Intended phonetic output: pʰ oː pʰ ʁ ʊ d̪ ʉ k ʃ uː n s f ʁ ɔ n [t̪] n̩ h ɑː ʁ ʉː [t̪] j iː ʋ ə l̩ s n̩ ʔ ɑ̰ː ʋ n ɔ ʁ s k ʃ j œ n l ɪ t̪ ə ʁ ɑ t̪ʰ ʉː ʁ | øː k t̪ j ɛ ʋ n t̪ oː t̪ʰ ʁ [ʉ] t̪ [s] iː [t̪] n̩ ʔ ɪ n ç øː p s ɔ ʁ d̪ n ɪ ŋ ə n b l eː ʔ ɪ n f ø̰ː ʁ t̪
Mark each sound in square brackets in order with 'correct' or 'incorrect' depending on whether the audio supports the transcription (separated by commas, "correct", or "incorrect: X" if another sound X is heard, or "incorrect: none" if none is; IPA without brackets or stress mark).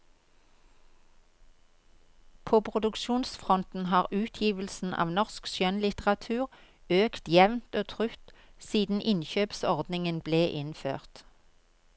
correct, incorrect: t̪ʰ, correct, correct, incorrect: d̪